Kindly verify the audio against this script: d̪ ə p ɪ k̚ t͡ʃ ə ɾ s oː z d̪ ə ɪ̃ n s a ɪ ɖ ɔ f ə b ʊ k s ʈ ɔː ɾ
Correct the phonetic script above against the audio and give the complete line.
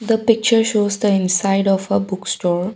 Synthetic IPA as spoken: d̪ ə p ɪ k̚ t͡ʃ ə ɾ ʃ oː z d̪ ə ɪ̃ n s a ɪ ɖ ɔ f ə b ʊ k s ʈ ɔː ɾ